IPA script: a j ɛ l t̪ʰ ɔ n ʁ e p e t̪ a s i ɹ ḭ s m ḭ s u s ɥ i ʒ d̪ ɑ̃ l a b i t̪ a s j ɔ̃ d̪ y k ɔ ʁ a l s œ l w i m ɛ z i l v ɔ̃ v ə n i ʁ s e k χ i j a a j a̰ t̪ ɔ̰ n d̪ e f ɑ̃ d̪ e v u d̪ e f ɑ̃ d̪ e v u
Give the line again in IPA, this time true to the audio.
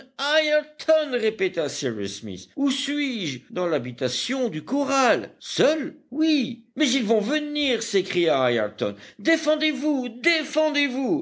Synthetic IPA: a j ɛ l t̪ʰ ɔ n ʁ e p e t̪ a s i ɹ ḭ s m ḭ s u s ɥ i ʒ d̪ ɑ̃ l a b i t̪ a s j ɔ̃ d̪ y k ɔ ʁ a l s œ l w i m ɛ z i l v ɔ̃ v ə n i ʁ s e k χ i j a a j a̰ t̪ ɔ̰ n d̪ e f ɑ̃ d̪ e v u d̪ e f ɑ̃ d̪ e v u

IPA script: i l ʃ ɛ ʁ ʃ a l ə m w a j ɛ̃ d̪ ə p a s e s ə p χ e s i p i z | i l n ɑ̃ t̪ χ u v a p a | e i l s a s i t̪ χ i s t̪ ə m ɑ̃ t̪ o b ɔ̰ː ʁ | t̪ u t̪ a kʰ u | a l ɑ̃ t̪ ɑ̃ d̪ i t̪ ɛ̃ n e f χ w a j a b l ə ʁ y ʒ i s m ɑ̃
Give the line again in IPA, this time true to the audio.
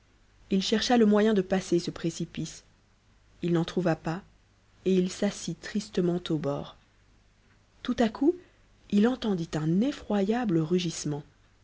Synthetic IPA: i l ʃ ɛ ʁ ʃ a l ə m w a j ɛ̃ d̪ ə p a s e s ə p χ e s i p i s | i l n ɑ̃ t̪ χ u v a p a | e i l s a s i t̪ χ i s t̪ ə m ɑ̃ t̪ o b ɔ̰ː ʁ | t̪ u t̪ a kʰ u | i l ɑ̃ t̪ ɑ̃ d̪ i t̪ ɛ̃ n e f χ w a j a b l ə ʁ y ʒ i s m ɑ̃

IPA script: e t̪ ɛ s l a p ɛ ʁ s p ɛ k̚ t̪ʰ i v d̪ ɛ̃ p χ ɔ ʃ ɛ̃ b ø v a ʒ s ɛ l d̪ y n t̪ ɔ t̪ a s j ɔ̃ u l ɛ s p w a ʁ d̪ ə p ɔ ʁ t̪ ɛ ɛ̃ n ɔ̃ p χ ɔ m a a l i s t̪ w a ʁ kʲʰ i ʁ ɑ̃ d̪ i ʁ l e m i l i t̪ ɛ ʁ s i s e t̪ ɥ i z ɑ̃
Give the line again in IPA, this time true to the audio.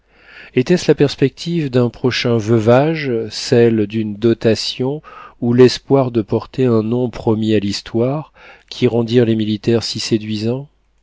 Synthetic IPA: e t̪ ɛ s l a p ɛ ʁ s p ɛ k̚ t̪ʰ i v d̪ ɛ̃ p χ ɔ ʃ ɛ̃ v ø v a ʒ s ɛ l d̪ y n d̪ ɔ t̪ a s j ɔ̃ u l ɛ s p w a ʁ d̪ ə p ɔ ʁ t̪ e ɛ̃ n ɔ̃ p χ ɔ m i a l i s t̪ w a ʁ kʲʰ i ʁ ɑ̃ d̪ i ʁ l e m i l i t̪ ɛ ʁ s i s e d̪ ɥ i z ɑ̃

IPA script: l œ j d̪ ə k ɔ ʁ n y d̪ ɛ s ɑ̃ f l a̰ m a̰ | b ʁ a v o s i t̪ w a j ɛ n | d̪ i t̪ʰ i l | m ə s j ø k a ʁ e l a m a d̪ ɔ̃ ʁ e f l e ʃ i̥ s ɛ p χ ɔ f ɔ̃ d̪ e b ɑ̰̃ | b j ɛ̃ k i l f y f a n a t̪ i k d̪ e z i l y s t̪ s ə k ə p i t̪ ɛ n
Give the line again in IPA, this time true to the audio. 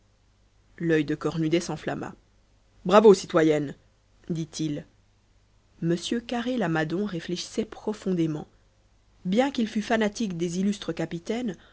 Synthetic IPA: l œ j d̪ ə k ɔ ʁ n y d̪ ɛ s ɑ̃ f l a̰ m a̰ | b ʁ a v o s i t̪ w a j ɛ n | d̪ i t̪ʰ i l | m ə s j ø k a ʁ e l a m a d̪ ɔ̃ ʁ e f l e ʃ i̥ s ɛ p χ ɔ f ɔ̃ d̪ e m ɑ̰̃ | b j ɛ̃ k i l f y f a n a t̪ i k d̪ e z i l y s t̪ χ ə k a p i t̪ ɛ n

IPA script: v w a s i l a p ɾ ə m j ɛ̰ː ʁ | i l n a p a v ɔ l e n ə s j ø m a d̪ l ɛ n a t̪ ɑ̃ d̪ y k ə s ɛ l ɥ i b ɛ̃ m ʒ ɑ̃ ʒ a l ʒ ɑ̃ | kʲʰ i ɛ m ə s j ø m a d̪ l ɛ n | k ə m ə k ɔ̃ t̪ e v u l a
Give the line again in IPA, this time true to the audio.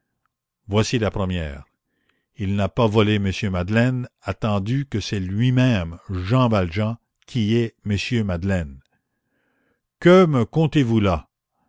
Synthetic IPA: v w a s i l a p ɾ ə m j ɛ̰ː ʁ | i l n a p a v ɔ l e m ə s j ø m a d̪ l ɛ n a t̪ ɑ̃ d̪ y k ə s ɛ l ɥ i m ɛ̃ m ʒ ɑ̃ v a l ʒ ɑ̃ | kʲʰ i ɛ m ə s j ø m a d̪ l ɛ n | k ə m ə k ɔ̃ t̪ e v u l a

